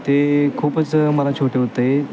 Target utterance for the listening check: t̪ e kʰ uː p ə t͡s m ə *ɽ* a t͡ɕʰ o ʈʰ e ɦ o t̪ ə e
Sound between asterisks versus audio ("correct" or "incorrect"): incorrect